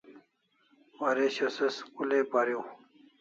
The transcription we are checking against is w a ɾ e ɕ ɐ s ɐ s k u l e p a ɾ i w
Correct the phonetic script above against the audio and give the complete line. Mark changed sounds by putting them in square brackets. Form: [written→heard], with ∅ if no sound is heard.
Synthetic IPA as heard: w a ɾ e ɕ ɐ s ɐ s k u l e p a ɾ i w